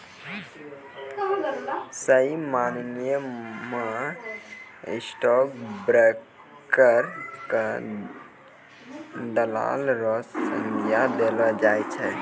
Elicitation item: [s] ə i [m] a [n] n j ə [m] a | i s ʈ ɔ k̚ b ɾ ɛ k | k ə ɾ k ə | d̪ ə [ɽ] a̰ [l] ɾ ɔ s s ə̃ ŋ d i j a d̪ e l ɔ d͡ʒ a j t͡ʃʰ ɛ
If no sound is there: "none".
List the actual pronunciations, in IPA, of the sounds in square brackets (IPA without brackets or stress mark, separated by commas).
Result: s, m, n, m, l, l